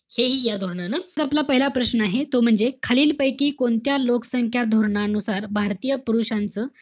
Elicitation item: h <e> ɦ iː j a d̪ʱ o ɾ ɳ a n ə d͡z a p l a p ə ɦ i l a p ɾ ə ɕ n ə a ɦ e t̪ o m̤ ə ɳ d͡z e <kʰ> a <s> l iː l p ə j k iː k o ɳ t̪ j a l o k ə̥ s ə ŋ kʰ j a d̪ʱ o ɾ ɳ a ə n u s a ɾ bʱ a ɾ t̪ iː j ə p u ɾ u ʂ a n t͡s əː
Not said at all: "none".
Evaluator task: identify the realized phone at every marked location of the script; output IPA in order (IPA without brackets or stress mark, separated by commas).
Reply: e, kʰ, none